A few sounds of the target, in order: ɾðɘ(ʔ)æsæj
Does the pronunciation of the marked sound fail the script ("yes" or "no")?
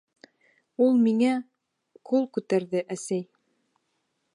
no